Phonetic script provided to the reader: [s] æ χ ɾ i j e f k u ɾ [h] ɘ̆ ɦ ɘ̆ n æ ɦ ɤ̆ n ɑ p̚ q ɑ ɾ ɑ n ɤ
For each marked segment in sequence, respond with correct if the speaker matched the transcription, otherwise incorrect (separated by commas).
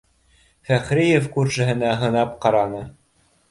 incorrect, incorrect